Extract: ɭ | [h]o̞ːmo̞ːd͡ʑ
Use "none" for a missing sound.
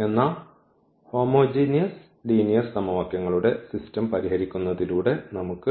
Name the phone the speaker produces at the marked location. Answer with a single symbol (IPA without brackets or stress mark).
h